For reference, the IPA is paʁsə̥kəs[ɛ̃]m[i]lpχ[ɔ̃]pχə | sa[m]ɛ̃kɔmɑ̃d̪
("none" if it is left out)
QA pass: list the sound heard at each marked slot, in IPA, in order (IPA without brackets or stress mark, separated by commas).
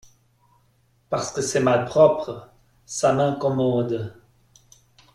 ɛ, a, ɔ, m